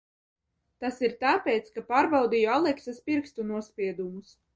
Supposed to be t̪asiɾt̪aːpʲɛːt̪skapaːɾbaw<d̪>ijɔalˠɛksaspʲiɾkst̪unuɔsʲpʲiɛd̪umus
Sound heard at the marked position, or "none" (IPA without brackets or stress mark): d̪